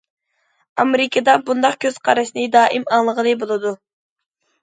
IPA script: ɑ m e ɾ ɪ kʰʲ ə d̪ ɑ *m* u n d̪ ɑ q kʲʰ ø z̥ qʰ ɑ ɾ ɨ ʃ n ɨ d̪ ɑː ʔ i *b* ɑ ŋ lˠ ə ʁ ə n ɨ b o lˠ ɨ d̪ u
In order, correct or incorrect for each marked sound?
incorrect: b, incorrect: m

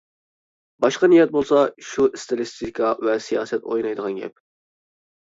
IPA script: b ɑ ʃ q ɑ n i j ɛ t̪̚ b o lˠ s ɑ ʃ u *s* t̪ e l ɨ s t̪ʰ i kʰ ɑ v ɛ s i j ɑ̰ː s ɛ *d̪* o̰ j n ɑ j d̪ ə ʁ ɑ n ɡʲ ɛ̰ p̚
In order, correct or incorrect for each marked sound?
correct, incorrect: t̪

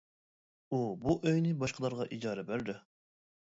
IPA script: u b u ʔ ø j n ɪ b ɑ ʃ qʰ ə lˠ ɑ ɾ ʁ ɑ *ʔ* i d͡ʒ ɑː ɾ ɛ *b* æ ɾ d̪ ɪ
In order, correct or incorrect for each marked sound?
correct, correct

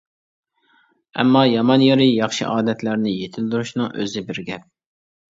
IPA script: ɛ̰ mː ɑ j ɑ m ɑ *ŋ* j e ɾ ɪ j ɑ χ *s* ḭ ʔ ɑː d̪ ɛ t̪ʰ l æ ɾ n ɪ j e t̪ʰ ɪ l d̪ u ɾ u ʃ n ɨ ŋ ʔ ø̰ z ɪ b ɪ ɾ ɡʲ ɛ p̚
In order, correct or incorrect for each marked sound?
incorrect: n, incorrect: ʃ

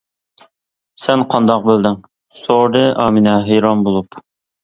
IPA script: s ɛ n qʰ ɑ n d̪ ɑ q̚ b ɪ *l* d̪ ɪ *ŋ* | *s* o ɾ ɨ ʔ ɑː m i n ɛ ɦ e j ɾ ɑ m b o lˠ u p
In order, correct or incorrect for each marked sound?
correct, correct, correct

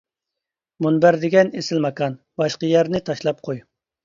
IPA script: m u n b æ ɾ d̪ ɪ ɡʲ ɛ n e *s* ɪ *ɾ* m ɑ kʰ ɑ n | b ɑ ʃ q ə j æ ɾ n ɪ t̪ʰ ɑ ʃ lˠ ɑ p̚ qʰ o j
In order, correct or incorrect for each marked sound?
correct, incorrect: l

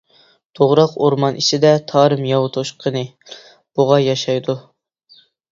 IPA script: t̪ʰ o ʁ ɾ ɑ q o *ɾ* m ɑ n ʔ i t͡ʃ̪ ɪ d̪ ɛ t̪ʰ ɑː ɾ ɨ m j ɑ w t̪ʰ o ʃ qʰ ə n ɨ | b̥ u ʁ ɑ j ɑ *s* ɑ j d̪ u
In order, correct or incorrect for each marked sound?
correct, incorrect: ʃ

